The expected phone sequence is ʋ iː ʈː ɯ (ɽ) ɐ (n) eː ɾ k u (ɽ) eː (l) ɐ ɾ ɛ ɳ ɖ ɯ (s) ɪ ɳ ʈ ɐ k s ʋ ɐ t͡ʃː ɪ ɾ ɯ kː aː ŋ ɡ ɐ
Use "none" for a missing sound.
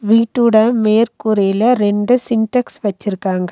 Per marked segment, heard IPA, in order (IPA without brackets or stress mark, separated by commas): ɽ, m, ɾ, l, s